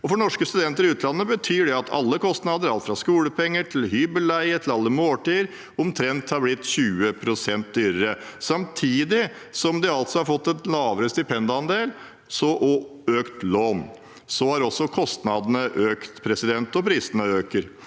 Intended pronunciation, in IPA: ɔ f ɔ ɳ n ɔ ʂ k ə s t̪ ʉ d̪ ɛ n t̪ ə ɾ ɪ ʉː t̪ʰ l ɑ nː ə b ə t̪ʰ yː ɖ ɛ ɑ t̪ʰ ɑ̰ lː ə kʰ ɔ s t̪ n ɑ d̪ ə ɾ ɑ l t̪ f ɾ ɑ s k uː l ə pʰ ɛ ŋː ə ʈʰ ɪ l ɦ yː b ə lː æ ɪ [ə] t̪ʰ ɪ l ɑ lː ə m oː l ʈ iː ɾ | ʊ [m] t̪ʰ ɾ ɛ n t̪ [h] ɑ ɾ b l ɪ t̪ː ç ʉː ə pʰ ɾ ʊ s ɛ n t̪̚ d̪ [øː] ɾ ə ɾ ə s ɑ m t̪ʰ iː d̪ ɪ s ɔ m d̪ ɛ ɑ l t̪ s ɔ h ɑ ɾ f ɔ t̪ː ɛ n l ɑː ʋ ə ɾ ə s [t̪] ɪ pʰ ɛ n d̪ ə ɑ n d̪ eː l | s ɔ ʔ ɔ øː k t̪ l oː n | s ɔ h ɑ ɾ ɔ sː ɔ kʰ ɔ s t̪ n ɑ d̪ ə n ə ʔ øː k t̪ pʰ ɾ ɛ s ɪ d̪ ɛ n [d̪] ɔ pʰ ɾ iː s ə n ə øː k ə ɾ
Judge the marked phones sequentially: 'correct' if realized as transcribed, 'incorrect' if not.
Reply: correct, correct, correct, incorrect: yː, correct, incorrect: t̪

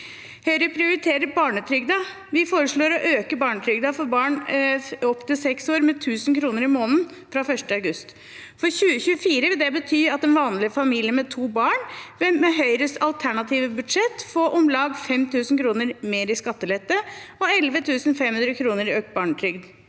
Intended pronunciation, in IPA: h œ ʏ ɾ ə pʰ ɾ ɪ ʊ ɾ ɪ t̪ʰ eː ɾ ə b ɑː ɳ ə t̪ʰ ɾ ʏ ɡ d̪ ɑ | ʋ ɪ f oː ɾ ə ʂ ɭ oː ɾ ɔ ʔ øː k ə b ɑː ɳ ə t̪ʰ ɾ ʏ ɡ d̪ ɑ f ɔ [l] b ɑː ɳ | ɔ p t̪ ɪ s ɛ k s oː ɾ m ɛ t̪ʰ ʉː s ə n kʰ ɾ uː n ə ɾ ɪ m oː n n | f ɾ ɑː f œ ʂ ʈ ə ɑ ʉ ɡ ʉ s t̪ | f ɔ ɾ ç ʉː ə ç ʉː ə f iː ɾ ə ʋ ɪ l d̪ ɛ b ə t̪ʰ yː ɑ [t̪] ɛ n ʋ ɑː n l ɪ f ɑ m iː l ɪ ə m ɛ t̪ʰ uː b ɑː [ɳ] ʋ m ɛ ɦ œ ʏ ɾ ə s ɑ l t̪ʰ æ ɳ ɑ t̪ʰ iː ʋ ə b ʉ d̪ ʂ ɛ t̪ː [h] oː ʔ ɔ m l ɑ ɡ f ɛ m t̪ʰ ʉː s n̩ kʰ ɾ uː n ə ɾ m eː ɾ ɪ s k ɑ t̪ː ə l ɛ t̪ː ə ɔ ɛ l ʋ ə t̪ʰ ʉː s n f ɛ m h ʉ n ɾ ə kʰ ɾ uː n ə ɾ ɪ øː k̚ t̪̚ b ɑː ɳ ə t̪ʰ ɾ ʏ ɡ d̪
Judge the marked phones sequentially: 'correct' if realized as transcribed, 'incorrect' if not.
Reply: incorrect: ɾ, correct, correct, incorrect: f

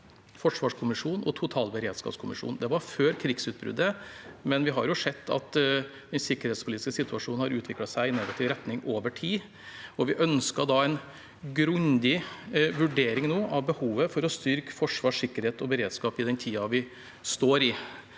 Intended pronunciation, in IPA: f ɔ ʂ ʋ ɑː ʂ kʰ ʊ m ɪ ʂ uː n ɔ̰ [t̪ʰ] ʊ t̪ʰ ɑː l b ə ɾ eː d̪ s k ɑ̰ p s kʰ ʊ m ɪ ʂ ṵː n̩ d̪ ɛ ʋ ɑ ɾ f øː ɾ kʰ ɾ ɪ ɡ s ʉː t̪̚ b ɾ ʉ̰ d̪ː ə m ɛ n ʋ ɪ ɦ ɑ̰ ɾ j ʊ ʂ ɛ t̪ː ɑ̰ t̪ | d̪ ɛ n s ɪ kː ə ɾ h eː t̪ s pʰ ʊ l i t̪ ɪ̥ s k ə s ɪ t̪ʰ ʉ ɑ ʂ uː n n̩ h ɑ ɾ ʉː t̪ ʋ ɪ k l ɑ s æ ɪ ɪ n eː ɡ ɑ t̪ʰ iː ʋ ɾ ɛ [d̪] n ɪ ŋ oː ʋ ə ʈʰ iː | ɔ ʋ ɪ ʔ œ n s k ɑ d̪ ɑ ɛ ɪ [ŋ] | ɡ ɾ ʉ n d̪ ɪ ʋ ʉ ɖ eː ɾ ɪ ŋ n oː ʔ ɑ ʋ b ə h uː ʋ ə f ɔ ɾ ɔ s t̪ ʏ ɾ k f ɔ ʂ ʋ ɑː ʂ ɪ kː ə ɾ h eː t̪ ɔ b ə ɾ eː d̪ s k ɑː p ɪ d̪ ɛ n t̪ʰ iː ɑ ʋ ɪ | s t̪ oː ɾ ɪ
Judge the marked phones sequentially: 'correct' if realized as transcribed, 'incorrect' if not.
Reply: correct, incorrect: t̪, incorrect: n

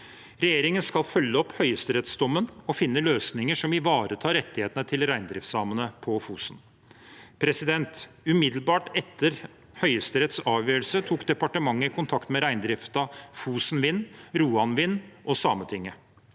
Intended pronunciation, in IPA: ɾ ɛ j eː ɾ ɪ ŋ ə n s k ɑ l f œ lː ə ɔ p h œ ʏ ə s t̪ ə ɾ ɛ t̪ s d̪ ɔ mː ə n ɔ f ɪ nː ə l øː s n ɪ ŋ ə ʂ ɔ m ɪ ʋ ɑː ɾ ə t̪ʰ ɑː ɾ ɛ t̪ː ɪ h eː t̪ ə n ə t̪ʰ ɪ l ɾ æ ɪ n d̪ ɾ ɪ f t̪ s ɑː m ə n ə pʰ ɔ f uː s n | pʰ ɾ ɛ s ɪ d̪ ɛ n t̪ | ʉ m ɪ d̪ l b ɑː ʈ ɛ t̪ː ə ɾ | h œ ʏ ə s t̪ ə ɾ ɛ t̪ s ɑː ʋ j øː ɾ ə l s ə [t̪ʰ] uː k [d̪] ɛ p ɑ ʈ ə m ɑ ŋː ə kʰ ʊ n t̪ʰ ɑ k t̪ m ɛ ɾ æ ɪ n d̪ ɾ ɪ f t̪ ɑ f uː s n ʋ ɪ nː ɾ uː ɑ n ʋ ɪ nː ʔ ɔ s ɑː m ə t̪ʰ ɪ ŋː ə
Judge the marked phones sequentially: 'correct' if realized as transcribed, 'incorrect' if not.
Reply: correct, correct

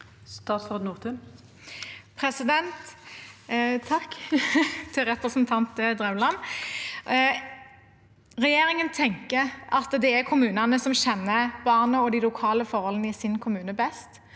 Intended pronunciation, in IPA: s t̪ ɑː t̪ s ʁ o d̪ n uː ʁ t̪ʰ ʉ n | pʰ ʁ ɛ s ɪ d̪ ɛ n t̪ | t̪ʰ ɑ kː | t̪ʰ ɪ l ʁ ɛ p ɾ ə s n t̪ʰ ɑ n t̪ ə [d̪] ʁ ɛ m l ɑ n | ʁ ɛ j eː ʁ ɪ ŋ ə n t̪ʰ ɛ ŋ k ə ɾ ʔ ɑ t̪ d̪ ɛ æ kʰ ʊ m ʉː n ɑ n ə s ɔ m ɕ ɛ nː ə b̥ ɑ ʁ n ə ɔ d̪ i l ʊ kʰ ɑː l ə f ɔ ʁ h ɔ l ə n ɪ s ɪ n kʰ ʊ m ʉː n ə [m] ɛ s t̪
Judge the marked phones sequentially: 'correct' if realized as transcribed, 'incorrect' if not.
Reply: correct, incorrect: b

